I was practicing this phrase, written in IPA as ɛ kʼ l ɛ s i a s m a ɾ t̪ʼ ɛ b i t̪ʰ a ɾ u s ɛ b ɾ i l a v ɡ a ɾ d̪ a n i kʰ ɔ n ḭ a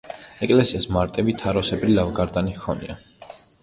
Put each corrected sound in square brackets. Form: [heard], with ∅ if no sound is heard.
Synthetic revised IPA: ɛ kʼ l ɛ s i a s m a ɾ t̪ʼ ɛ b i t̪ʰ a ɾ [ɔ] s ɛ b ɾ i l a v ɡ a ɾ d̪ a n i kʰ ɔ n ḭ a